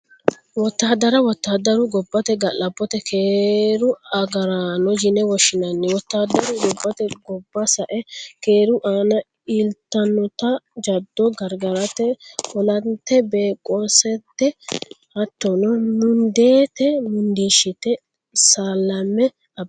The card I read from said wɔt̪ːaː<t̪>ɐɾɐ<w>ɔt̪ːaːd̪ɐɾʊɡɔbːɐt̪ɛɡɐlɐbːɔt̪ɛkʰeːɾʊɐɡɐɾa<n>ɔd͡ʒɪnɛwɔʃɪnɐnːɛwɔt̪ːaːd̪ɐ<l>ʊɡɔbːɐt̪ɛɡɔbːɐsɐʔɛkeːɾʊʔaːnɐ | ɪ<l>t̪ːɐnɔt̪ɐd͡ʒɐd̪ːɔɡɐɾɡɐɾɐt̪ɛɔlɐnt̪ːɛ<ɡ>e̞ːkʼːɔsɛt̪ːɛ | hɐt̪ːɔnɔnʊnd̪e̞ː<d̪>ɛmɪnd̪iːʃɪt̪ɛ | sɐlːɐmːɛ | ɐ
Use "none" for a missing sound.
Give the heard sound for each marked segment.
d̪, w, n, ɾ, l, b, t̪

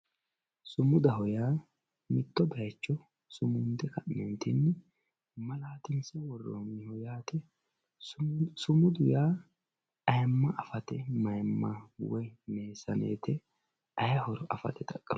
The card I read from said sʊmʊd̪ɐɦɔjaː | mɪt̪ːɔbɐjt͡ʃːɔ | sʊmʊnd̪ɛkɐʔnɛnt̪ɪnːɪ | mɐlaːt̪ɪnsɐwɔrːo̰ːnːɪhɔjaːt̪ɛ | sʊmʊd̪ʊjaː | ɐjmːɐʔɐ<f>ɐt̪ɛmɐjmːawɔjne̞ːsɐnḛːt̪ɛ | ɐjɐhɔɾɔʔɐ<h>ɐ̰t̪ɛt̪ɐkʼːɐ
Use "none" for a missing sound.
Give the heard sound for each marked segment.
f, f

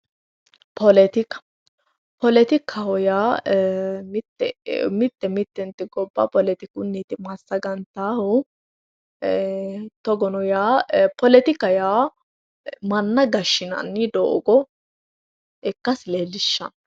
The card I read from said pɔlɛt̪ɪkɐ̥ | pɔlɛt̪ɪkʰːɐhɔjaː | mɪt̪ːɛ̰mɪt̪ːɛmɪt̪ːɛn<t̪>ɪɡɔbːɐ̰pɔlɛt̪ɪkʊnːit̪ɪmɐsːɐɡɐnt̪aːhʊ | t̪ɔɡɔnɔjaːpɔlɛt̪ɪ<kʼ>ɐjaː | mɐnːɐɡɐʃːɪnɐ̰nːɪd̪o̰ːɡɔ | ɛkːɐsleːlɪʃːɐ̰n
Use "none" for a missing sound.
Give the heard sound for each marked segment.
t̪, k

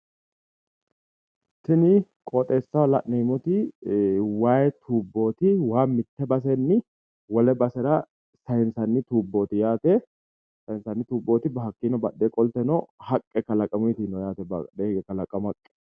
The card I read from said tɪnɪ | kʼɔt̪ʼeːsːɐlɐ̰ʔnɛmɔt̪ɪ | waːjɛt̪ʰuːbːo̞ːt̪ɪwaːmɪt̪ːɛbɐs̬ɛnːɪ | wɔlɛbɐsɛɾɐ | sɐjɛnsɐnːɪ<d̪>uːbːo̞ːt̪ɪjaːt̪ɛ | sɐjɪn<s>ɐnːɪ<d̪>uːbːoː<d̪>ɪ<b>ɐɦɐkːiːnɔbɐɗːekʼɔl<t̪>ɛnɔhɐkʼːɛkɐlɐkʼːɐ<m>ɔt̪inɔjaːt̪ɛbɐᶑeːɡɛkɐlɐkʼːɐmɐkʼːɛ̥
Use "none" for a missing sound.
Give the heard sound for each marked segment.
t̪, s, t̪, t̪, b, t̪, m

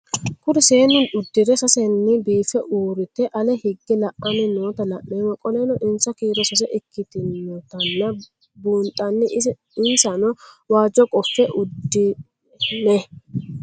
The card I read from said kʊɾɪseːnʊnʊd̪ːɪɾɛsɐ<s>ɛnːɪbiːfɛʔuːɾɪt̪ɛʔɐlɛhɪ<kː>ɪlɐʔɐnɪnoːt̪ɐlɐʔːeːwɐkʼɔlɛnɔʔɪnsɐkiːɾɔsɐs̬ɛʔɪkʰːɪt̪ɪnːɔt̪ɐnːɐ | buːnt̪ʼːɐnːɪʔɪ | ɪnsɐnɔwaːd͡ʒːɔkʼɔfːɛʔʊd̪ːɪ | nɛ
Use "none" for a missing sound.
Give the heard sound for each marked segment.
s, ɡː

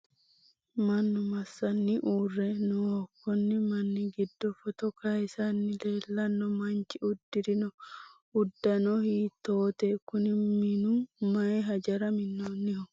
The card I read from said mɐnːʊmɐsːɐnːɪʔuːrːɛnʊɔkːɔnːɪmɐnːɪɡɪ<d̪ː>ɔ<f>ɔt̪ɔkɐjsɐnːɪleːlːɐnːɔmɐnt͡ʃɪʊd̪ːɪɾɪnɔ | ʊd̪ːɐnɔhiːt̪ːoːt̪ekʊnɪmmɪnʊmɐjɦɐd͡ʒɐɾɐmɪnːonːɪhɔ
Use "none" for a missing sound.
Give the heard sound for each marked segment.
d̪ː, f

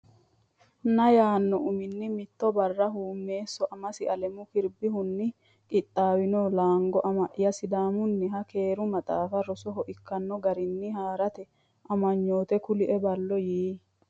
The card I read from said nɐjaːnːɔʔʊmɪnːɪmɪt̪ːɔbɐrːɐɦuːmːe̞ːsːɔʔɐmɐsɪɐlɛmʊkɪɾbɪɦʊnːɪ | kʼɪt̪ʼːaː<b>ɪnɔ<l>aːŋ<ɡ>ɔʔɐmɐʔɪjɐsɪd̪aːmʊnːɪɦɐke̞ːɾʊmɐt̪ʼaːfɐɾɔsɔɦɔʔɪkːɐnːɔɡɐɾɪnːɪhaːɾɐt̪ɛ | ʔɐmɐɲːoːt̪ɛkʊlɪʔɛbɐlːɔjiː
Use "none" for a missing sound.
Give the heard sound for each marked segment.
w, l, ɡ

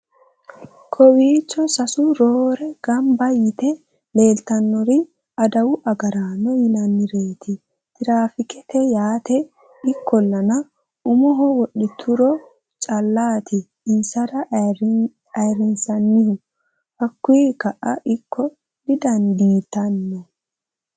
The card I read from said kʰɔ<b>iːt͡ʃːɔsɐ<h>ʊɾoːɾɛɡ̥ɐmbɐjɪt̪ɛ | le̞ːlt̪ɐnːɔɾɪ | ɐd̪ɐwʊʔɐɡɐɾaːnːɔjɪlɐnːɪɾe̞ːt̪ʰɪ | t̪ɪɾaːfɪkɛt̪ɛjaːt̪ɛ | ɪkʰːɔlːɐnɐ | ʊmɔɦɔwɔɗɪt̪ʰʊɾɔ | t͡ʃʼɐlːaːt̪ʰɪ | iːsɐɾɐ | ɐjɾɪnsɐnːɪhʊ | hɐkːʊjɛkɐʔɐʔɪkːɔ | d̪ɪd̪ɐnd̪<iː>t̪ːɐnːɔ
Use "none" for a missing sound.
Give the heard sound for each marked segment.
w, s, iː

